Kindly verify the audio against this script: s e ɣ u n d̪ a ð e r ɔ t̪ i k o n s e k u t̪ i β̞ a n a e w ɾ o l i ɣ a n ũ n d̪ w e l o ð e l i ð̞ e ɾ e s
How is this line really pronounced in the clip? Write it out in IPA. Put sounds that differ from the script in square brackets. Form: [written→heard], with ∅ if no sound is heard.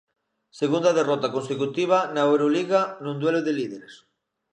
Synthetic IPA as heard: s e ɣ u n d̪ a ð e r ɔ t̪ [i→a] k o n s e k u t̪ i β̞ a n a e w ɾ o l i ɣ a n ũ n d̪ w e l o ð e l i ð̞ e ɾ e s